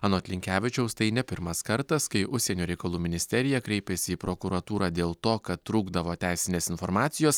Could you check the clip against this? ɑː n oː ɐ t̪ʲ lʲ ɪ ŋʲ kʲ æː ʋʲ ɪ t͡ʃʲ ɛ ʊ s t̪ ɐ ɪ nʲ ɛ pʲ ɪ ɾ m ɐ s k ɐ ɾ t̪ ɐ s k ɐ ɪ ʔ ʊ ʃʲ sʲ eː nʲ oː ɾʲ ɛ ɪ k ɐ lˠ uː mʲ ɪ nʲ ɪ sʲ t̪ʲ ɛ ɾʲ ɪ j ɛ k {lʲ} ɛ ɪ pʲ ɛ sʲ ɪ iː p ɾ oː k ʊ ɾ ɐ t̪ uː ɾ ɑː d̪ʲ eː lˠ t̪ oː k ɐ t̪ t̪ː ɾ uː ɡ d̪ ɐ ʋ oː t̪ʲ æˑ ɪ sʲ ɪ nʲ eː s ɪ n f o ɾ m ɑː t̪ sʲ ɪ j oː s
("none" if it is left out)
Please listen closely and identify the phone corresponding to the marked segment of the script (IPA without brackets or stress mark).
ɾʲ